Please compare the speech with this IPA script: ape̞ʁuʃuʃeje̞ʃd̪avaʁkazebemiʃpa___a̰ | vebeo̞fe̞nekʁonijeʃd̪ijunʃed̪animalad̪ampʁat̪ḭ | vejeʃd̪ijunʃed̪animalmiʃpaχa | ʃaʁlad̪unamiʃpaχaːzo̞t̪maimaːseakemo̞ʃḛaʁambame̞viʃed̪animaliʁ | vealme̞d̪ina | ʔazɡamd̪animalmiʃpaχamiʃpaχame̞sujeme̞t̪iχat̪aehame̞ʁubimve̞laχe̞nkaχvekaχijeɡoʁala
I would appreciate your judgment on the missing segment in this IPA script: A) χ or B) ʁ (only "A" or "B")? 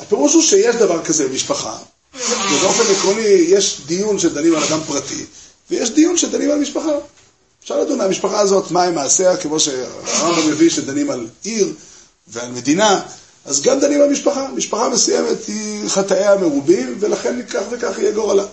A